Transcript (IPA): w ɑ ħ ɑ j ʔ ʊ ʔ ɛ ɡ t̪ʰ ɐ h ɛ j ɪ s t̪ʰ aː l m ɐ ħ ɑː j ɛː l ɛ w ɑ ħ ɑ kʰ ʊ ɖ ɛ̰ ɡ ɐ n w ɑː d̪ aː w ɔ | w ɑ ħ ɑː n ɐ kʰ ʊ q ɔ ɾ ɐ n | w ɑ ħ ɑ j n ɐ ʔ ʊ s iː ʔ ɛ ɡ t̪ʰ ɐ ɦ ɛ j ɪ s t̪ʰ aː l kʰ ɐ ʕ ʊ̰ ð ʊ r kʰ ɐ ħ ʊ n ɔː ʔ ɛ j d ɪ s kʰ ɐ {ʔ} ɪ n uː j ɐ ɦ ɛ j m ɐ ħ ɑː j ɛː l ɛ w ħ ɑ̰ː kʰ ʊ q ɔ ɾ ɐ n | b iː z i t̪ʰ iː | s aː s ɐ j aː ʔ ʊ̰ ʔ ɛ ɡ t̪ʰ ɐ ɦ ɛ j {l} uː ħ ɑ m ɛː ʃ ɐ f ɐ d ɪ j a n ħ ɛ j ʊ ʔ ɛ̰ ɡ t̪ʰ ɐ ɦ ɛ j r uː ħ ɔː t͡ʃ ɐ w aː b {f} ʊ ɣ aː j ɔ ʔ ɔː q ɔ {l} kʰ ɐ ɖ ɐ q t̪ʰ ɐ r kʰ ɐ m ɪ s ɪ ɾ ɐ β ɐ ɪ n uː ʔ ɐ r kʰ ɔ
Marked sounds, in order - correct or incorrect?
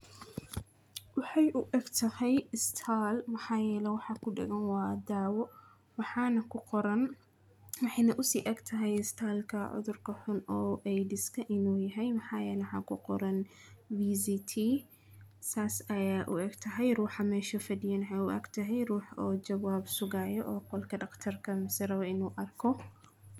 correct, incorrect, incorrect, correct

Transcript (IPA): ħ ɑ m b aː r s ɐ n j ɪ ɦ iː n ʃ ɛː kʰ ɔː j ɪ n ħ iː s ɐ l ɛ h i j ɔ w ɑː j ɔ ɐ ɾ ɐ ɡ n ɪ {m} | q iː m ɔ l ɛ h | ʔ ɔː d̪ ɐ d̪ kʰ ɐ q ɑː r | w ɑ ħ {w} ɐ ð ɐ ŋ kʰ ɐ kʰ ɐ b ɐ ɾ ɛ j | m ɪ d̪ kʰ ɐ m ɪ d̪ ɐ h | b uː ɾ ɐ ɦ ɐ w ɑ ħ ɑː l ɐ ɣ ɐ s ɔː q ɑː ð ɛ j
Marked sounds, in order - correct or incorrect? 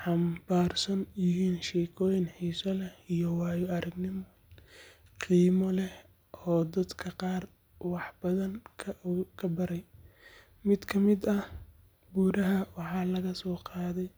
correct, incorrect

